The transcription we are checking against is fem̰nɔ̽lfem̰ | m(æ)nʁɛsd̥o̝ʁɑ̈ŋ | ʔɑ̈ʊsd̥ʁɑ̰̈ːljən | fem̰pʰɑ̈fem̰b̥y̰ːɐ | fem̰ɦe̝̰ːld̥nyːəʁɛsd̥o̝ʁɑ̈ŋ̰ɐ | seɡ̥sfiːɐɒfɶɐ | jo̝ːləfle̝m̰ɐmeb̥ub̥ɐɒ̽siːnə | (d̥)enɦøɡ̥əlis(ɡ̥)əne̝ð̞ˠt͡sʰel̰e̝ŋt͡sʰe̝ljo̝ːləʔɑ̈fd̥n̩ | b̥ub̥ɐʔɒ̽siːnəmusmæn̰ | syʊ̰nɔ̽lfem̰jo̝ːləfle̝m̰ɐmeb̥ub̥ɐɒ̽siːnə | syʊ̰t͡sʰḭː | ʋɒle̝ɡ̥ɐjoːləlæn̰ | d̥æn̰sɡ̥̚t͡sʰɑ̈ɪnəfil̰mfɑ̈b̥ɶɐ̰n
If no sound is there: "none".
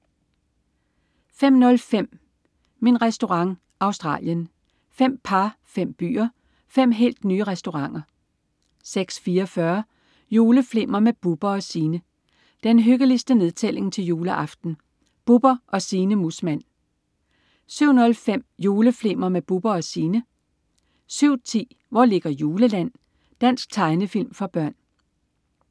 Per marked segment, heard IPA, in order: i, d̥, d̥

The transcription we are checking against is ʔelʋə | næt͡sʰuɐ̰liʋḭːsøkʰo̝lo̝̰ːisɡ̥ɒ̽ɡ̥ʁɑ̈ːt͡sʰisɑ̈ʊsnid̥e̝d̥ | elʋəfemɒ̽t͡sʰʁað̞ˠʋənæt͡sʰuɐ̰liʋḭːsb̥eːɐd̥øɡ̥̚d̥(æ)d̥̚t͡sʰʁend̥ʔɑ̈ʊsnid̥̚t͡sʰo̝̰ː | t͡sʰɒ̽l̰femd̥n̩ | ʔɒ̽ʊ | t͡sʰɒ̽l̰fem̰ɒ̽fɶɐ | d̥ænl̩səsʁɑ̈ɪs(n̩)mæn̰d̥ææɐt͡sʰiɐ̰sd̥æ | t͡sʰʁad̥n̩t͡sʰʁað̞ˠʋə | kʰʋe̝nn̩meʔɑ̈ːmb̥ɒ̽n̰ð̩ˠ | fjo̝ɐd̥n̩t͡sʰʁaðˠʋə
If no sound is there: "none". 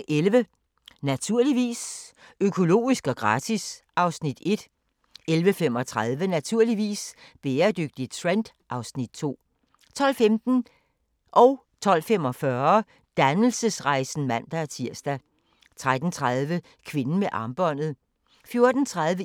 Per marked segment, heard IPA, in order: i, n̩

